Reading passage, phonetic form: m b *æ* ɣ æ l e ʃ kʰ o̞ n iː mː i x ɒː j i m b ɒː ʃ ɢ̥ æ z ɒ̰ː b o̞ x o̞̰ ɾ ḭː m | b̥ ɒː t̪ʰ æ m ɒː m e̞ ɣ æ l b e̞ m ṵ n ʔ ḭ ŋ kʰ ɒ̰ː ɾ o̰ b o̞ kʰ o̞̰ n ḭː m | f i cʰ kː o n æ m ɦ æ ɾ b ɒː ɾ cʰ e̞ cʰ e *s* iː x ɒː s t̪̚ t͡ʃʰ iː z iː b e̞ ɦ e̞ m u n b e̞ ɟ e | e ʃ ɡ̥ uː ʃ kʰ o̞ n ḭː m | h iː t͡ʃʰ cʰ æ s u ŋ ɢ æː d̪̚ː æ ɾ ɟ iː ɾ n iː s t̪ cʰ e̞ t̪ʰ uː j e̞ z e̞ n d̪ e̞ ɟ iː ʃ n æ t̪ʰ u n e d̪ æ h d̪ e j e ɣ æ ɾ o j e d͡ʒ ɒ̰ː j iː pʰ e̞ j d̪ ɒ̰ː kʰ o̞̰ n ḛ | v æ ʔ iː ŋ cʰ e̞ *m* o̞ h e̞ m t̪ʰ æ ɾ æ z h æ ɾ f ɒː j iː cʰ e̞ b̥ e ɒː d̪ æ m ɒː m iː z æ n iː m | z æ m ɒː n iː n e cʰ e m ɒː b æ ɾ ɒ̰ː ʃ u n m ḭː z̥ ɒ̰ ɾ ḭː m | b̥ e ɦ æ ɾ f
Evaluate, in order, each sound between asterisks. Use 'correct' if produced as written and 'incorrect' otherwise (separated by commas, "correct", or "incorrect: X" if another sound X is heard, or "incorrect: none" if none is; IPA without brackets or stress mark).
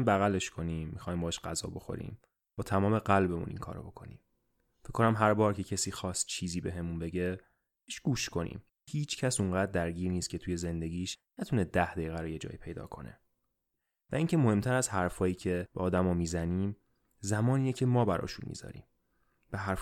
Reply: correct, correct, correct